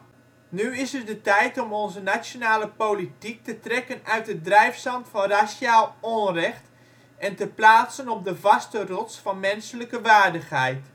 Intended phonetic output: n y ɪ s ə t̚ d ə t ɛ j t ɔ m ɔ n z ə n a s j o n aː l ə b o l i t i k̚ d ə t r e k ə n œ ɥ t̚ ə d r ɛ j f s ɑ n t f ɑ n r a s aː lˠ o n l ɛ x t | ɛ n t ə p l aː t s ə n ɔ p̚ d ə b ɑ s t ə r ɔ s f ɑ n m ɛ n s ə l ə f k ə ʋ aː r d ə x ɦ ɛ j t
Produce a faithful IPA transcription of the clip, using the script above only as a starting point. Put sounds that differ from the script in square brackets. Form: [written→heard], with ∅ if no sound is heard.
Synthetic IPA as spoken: n y ɪ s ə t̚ d ə t ɛ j t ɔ m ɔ n z ə n a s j o n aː l ə [b→p] o l i t i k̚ [d→t] ə t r [e→ɛ] k ə n œ ɥ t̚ ə d r ɛ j f s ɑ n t f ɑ n r a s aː lˠ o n [l→r] ɛ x t | ɛ n t ə p l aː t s ə n ɔ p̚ d ə [b→v] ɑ s t ə r ɔ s f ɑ n m ɛ n s ə l ə [f→∅] k ə ʋ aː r d ə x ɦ ɛ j t

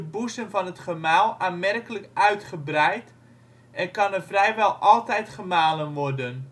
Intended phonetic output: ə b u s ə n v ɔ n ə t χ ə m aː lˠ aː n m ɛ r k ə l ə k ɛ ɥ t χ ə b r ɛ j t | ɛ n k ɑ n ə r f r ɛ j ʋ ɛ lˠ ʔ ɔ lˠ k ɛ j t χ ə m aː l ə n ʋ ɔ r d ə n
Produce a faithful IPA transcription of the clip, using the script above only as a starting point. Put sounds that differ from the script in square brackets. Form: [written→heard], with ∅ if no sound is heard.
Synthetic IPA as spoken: ə b u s ə n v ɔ n ə t χ ə m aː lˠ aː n m ɛ r k ə l ə k [ɛ→œ] ɥ t χ ə b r ɛ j t | ɛ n k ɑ n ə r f r ɛ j ʋ ɛ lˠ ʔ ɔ lˠ [k→t] ɛ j t χ ə m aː l ə n ʋ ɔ r d ə n

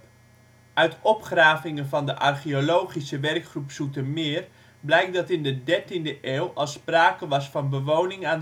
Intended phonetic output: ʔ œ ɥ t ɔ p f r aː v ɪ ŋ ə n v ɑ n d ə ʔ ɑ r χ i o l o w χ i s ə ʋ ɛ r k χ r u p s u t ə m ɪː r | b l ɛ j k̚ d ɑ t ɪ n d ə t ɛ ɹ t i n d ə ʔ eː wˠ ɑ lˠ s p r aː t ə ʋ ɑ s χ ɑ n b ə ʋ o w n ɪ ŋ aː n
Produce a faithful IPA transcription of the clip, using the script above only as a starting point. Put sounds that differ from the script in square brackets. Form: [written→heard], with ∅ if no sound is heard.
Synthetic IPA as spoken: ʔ œ ɥ t ɔ p [f→χ] r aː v ɪ ŋ ə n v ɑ n d ə ʔ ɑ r χ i o l o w χ i s ə ʋ ɛ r k χ r u p s u t ə m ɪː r | b l ɛ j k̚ d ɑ t ɪ n d ə [t→d] ɛ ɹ t i n d ə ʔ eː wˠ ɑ lˠ s p r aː [t→k] ə ʋ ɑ s [χ→f] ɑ n b ə ʋ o w n ɪ ŋ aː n

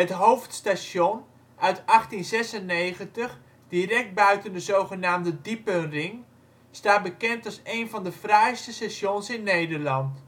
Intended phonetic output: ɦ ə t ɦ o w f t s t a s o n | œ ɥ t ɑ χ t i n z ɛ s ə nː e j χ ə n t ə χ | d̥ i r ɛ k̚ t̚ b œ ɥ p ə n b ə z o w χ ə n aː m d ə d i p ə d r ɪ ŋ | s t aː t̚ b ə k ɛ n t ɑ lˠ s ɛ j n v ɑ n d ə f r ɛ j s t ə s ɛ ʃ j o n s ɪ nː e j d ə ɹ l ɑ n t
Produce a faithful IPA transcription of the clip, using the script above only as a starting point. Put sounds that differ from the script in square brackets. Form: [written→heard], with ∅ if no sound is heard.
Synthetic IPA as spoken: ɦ ə t ɦ o w f t s t a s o n | œ ɥ t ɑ χ t i n z ɛ s ə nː e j χ ə n t ə χ | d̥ i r ɛ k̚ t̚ b œ ɥ [p→t] ə n [b→d] ə z o w χ ə n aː m d ə d i p ə [d→n] r ɪ ŋ | s t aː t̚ b ə k ɛ n t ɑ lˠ s [ɛ→e] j n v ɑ n d ə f r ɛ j s t ə s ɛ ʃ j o n s ɪ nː e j d ə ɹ l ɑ n t

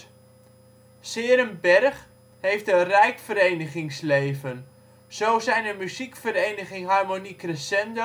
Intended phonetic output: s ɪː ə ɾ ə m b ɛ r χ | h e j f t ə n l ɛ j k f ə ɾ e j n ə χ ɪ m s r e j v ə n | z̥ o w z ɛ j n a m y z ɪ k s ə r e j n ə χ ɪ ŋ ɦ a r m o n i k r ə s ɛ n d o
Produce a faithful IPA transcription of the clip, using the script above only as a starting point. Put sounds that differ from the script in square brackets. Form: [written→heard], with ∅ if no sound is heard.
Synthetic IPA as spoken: s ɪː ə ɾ ə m b ɛ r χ | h e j f t ə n [l→r] ɛ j k f ə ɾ e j n ə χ ɪ [m→ŋ] s [r→l] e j v ə n | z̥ o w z ɛ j n [a→ə] m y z [ɪ→i] k [s→f] ə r e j n ə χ ɪ ŋ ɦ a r m o n i k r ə s ɛ n d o

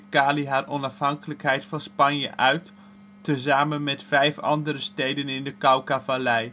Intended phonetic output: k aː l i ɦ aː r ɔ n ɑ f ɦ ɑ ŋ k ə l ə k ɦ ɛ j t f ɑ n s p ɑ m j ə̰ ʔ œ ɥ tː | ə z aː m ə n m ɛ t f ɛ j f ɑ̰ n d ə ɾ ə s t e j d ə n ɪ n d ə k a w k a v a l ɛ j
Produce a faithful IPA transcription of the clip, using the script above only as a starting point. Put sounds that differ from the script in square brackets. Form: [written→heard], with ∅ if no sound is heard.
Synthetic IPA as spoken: k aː l i ɦ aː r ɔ n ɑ f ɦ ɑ ŋ k ə l ə k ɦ ɛ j t f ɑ n s p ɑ [m→n] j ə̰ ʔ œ ɥ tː | ə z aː m ə n m ɛ t f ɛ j f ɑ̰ n d ə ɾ ə s t e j d ə n ɪ n d ə k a w k a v a l ɛ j

